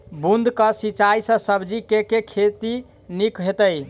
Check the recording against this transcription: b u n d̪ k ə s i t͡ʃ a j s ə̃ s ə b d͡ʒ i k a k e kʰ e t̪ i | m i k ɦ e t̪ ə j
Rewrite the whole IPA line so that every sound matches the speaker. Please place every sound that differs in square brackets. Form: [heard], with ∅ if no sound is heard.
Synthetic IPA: b u n d̪ k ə s i t͡ʃ a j s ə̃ s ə b d͡ʒ i k [e] k e kʰ e t̪ i | [n] i k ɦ e t̪ ə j